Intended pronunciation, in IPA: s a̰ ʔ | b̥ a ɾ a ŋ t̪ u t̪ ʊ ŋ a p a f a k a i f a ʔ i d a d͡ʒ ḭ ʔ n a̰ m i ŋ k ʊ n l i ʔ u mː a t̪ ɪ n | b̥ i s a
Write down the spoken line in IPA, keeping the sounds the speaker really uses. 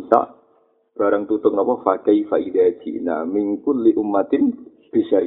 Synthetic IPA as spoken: s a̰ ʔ | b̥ a ɾ a ŋ t̪ u t̪ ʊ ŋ a p a f a k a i f a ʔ i d a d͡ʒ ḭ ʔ n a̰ m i ŋ k ʊ n l i ʔ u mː a t̪ ɪ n | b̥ i s a